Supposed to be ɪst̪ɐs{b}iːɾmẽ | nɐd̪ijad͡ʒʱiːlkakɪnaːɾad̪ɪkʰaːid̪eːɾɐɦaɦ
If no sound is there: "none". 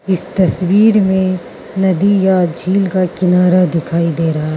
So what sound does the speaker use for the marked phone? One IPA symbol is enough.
w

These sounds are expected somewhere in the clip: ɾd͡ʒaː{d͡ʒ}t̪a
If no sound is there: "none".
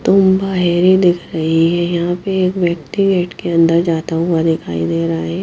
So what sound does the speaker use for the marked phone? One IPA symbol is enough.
none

